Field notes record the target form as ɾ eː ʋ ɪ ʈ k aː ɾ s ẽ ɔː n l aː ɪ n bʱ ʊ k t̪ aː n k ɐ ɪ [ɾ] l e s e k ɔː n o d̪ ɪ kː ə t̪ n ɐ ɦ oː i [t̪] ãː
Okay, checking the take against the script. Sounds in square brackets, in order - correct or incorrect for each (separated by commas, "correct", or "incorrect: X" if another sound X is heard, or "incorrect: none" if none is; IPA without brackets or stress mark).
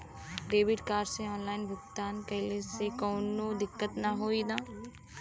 incorrect: none, incorrect: d̪